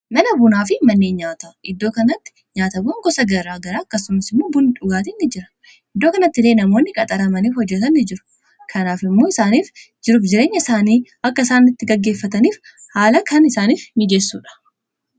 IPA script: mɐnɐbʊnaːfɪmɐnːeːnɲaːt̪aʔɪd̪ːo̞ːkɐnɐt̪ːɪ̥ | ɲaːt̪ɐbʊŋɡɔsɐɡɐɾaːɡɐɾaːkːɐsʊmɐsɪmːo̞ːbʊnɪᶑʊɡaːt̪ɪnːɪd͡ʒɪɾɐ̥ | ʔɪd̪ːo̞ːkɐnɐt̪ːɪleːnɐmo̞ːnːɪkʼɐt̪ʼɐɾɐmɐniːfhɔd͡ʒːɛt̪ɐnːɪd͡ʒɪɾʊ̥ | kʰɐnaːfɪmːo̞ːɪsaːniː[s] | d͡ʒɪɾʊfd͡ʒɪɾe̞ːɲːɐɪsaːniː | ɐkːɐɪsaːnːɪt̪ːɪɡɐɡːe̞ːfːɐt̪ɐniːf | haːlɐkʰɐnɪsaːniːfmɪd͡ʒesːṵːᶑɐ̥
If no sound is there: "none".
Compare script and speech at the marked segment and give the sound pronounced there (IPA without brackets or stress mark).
f